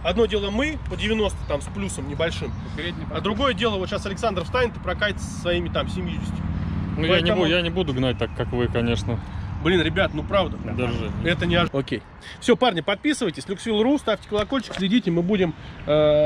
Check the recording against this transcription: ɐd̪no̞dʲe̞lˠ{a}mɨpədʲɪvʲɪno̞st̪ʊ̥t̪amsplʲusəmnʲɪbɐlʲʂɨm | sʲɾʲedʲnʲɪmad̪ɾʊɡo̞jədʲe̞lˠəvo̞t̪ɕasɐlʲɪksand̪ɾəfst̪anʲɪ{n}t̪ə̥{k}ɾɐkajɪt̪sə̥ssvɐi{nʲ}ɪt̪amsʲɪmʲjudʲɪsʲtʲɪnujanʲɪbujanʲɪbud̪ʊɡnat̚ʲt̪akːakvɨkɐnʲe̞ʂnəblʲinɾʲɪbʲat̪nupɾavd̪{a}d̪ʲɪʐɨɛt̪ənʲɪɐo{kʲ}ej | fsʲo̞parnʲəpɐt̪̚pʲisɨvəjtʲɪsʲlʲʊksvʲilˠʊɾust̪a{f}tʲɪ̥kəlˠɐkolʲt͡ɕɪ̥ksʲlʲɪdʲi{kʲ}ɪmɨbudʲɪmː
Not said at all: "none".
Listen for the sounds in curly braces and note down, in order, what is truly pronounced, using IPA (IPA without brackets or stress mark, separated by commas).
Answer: ə, n, p, mʲ, ə, kʲ, f, tʲ